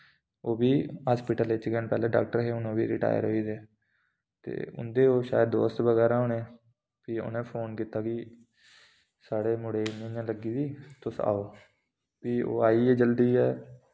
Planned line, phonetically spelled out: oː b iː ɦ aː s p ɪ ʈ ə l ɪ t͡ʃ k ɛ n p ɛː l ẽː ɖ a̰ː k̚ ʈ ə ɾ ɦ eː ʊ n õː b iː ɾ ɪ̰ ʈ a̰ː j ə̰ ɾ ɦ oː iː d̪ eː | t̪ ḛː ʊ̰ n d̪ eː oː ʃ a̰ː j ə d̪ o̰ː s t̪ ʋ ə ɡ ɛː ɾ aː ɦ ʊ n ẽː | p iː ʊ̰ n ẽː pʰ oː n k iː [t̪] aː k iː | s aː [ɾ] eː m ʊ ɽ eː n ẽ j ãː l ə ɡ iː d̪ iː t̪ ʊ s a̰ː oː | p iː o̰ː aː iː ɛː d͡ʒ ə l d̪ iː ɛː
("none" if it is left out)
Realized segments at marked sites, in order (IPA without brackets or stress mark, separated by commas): t̪, ɽ